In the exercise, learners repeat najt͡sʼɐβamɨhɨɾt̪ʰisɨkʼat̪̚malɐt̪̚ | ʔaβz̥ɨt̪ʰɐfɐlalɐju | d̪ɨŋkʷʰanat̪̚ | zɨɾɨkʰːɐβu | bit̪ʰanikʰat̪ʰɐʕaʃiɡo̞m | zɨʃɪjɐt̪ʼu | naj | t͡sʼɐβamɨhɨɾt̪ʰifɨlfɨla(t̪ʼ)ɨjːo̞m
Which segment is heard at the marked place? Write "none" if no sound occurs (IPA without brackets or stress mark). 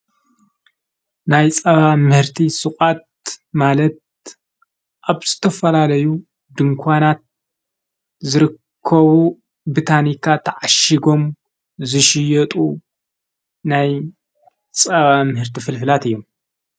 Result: t̪